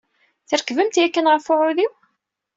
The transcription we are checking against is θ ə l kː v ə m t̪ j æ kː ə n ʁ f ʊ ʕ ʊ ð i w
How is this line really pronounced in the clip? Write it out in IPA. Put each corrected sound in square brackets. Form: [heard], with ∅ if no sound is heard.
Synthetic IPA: θ ə [ɾ] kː v ə m t̪ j æ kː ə n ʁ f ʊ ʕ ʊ ð i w